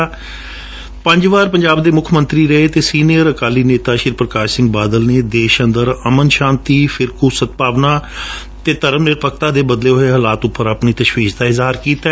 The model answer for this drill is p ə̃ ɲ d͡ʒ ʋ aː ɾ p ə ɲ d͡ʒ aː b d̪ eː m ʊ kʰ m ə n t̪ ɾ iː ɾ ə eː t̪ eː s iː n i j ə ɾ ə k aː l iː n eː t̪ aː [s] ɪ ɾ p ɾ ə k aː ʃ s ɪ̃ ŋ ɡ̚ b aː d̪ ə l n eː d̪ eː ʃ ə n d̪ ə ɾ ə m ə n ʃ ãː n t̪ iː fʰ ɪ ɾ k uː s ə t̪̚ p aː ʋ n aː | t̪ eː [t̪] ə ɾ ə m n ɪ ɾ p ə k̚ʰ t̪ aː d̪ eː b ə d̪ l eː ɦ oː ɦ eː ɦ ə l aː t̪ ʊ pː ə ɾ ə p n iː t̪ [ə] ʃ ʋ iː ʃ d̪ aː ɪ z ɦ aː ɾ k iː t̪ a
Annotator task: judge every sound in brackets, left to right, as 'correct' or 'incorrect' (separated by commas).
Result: incorrect, correct, correct